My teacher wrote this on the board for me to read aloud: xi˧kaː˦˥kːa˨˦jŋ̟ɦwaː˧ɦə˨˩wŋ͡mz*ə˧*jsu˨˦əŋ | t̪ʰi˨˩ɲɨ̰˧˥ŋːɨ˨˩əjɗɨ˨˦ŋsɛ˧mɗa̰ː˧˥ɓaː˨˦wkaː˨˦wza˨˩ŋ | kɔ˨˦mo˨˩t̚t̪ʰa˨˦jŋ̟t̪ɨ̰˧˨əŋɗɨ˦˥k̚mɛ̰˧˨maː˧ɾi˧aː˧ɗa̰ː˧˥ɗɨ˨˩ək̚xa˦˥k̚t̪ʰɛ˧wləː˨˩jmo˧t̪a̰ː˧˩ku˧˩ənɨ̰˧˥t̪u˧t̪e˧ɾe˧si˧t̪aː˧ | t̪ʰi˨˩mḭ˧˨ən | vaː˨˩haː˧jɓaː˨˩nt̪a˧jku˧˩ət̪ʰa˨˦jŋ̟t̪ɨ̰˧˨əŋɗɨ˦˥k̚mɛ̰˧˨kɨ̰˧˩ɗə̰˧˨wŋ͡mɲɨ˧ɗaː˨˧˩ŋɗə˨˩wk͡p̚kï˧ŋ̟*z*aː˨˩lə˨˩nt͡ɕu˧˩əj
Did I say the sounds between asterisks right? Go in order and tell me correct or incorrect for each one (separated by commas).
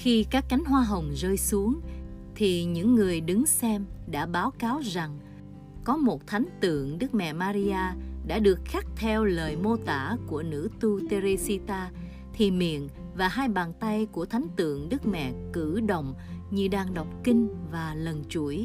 incorrect, incorrect